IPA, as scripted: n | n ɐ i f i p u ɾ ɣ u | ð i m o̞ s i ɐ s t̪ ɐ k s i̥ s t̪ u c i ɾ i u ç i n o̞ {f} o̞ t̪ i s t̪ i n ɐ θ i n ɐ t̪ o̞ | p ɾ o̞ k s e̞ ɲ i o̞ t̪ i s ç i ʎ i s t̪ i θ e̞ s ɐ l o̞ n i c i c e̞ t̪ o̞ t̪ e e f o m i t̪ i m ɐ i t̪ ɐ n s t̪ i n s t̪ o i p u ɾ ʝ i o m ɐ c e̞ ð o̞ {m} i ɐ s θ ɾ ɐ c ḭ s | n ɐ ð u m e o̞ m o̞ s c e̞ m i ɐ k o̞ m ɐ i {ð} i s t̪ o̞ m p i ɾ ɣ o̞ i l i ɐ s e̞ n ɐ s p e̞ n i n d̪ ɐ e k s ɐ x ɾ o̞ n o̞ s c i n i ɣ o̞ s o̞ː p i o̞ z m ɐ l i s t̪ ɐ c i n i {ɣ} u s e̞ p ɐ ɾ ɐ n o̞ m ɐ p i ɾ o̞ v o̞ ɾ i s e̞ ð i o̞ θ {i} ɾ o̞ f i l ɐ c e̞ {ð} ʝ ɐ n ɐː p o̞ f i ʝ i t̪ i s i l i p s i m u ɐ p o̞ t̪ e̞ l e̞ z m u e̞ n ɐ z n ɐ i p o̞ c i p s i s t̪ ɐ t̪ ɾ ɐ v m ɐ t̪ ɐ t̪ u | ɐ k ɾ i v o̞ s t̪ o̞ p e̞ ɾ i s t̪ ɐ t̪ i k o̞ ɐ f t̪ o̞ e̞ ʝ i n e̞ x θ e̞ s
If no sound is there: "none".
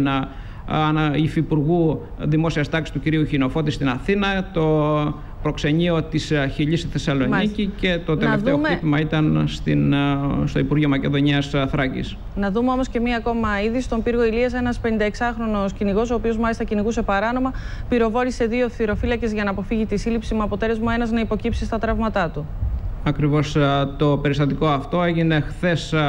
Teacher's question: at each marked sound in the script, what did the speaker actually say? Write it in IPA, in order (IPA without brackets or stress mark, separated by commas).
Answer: f, ɲ, ð, ɣ, i, z